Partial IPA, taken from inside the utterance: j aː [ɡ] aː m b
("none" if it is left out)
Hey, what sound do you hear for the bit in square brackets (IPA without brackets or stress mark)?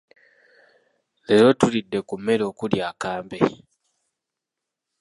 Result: k